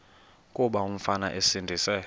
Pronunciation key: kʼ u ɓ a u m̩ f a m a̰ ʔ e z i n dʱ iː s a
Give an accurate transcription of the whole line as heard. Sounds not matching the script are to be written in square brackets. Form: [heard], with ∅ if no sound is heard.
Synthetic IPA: kʼ u ɓ a u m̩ f a [n] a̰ ʔ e [s] i n dʱ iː s [ɛ]